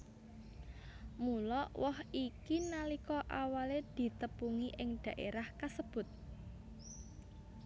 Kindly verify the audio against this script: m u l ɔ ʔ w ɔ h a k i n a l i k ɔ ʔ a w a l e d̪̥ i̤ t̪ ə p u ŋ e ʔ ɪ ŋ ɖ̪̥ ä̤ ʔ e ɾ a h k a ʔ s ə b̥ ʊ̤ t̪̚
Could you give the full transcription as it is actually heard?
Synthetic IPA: m u l ɔ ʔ w ɔ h i k i n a l i k ɔ ʔ a w a l e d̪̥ i̤ t̪ ə p u ŋ i ʔ ɪ ŋ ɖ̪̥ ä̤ ʔ e ɾ a h k a s ə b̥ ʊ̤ t̪̚